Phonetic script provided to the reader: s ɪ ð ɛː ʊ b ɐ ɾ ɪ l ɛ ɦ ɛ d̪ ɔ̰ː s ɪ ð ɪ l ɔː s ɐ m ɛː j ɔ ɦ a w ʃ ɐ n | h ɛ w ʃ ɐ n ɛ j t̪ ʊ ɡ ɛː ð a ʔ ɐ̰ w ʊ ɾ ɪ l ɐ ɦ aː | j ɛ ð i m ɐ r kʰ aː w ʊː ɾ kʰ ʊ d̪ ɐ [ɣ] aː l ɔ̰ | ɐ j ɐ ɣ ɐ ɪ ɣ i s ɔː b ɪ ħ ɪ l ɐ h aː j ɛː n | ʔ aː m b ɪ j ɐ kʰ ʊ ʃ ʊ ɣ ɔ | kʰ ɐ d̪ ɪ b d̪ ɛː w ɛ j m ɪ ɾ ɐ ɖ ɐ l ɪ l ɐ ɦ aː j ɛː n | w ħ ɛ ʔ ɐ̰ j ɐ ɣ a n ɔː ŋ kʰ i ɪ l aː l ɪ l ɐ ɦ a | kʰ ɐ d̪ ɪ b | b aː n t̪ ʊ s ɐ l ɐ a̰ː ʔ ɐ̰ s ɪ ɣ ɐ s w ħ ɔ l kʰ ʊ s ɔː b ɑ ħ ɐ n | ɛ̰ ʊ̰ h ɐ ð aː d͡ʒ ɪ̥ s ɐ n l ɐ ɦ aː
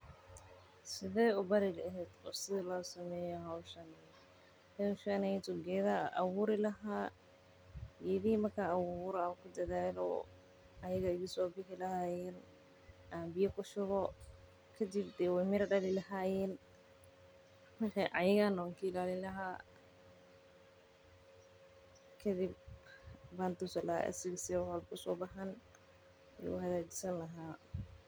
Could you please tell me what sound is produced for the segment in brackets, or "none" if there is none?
ð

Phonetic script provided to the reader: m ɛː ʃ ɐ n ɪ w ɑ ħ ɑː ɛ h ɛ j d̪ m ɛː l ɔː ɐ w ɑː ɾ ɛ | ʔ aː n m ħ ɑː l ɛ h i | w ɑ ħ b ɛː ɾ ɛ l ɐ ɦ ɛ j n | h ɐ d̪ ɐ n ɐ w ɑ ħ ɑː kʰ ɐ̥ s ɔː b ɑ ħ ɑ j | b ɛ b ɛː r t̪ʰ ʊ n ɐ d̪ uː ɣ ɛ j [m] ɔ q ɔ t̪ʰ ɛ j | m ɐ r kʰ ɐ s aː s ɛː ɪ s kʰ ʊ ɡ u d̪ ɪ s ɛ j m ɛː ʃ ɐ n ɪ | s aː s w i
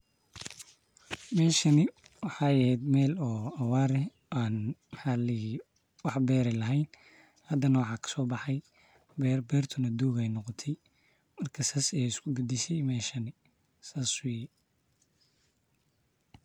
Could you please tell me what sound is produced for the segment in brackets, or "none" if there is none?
n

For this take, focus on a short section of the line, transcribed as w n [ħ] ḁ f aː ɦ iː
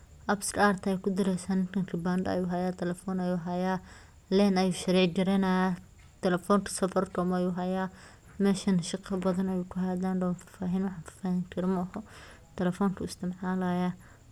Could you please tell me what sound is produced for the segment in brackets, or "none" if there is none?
f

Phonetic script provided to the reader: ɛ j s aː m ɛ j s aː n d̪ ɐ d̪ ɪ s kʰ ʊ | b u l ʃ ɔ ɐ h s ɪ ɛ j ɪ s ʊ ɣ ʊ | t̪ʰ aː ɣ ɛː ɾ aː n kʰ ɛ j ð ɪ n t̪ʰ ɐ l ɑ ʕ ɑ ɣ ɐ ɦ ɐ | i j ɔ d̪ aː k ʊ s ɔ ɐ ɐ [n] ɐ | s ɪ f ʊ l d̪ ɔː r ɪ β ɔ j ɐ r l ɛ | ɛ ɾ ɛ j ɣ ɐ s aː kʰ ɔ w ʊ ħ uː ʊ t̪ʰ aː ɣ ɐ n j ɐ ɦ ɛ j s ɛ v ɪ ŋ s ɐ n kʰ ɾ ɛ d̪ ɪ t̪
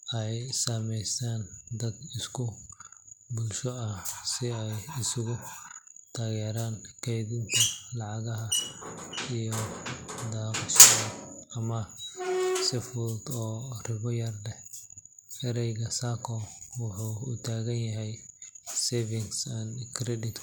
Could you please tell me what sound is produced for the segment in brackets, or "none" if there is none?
m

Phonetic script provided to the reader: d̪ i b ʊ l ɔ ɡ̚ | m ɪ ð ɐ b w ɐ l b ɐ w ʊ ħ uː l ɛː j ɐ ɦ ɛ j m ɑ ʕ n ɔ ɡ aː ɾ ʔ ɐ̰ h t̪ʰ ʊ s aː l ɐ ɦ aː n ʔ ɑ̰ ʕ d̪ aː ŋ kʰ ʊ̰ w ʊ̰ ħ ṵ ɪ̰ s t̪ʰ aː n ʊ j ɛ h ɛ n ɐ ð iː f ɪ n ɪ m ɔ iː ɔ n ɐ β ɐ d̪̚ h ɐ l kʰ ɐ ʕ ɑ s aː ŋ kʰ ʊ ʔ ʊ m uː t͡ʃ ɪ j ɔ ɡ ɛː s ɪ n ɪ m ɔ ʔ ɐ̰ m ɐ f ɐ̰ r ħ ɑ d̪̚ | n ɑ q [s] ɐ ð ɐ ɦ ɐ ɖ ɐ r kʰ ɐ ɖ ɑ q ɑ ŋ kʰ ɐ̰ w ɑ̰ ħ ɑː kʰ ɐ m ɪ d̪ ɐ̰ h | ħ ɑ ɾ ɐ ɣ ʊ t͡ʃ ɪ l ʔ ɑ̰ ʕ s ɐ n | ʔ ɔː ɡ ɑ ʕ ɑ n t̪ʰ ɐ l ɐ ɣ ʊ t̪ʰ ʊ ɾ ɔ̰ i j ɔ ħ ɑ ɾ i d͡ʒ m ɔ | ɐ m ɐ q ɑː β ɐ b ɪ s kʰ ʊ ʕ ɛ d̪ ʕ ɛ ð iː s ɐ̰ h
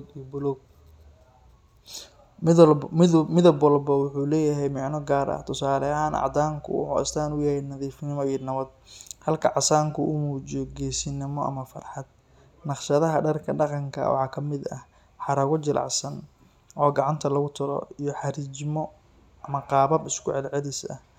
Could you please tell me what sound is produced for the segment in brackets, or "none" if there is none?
ʃ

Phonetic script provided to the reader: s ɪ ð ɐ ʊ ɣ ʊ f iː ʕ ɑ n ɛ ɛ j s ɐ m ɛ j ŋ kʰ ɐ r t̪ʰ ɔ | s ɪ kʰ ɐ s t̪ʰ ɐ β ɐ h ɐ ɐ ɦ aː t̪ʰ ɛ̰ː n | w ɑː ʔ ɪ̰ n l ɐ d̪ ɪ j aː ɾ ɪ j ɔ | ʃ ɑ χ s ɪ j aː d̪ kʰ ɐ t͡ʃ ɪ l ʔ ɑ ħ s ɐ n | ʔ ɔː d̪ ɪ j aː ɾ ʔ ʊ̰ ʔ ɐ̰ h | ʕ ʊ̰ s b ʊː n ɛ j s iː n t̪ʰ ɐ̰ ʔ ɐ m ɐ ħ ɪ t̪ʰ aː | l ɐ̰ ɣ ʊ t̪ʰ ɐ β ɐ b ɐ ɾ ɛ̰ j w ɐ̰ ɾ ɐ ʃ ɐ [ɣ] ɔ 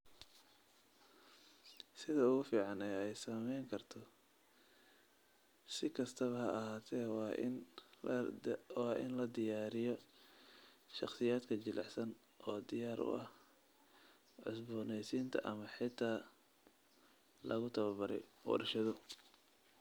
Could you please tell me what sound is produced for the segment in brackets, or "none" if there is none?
ð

